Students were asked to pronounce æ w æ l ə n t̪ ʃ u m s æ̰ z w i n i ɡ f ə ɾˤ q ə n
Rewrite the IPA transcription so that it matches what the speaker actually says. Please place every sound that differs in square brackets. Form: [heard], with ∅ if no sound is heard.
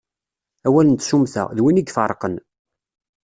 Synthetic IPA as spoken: æ w æ l ə n t̪ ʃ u m [θ] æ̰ [ð] w i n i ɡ f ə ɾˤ q ə n